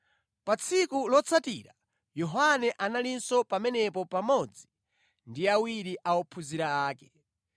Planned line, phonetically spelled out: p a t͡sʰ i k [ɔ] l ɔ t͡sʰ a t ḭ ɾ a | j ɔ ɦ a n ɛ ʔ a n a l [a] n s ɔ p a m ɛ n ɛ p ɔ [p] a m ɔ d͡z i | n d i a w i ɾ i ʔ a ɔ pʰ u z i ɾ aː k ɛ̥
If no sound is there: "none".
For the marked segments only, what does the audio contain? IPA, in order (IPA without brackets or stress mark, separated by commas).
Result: u, i, p